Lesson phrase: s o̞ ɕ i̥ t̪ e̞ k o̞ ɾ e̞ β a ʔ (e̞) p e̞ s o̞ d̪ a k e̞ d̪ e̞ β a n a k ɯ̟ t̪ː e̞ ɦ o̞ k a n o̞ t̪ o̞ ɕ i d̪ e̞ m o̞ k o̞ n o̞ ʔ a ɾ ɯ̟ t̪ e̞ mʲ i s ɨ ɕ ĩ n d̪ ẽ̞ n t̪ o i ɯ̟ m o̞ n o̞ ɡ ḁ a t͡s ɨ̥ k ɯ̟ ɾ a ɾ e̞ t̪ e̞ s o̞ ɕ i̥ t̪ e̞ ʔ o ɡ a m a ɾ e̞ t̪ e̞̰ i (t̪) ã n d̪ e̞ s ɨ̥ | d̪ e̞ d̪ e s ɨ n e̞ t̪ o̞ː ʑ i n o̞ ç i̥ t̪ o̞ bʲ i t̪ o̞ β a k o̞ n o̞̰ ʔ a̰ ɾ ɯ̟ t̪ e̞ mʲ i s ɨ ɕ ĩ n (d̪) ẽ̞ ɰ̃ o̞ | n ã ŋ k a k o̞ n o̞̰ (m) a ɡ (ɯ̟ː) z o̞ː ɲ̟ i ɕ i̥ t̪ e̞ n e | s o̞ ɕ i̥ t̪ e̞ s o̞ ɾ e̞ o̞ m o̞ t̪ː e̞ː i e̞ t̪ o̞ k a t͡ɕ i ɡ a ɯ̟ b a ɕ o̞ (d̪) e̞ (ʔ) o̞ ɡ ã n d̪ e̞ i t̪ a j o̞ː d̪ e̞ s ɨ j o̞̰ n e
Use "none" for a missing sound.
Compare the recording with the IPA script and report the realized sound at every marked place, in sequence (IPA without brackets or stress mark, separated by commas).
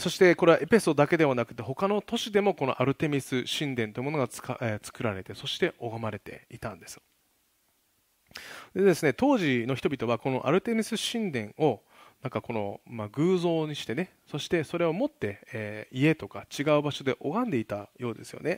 e̞, t̪, d̪, m, ɯ̟ː, d̪, ʔ